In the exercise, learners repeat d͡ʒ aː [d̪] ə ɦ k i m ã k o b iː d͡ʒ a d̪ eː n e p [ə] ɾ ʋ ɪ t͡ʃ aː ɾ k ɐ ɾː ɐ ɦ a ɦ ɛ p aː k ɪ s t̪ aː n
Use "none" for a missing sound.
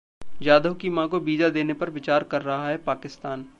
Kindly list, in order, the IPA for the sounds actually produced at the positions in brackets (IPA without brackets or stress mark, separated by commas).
d̪, ɐ